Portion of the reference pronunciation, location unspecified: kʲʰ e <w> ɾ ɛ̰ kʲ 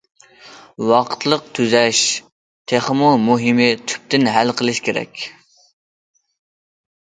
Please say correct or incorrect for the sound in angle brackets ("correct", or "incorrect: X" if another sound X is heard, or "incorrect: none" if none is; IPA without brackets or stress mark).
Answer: incorrect: none